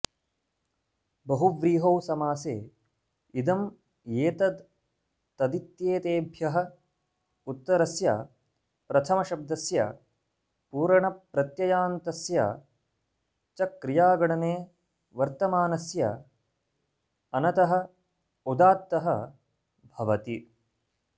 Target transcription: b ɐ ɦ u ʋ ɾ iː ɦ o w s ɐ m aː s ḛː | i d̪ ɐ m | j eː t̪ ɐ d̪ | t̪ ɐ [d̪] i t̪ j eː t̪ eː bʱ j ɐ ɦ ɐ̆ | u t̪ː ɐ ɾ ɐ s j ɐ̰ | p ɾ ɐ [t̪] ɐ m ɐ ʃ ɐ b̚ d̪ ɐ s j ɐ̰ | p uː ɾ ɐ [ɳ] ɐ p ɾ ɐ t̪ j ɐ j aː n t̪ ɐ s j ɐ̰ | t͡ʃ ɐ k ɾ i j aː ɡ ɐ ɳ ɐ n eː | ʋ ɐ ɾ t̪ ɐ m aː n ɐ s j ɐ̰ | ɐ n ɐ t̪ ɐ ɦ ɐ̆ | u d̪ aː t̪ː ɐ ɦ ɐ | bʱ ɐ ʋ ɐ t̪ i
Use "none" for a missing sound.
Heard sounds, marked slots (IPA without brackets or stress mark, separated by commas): d̪, t̪ʰ, ɳ